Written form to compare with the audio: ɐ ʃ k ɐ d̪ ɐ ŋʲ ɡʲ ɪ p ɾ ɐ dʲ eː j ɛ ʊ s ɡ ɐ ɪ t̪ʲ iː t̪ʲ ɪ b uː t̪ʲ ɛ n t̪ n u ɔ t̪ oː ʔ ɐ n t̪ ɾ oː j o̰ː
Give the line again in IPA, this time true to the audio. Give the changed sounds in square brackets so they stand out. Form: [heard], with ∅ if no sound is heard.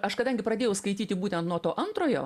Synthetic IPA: ɐ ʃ k ɐ d̪ ɐ ŋʲ ɡʲ ɪ p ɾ ɐ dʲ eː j ɛ ʊ s [k] ɐ ɪ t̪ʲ iː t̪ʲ ɪ b uː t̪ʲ ɛ n t̪ n u ɔ t̪ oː ʔ ɐ n t̪ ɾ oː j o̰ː